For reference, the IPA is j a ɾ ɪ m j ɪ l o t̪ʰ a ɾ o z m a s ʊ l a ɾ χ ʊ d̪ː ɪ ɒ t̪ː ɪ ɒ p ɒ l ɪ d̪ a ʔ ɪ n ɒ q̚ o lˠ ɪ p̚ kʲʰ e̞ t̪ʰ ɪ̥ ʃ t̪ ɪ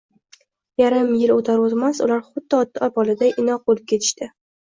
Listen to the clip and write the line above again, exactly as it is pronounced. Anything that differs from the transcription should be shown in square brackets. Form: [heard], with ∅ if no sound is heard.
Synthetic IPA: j a ɾ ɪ m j ɪ l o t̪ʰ a ɾ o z m a s ʊ l a ɾ χ ʊ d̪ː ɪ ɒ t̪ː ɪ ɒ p ɒ l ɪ d̪ a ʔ ɪ n ɒ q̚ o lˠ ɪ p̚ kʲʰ e̞ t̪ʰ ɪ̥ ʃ t̪ ɪ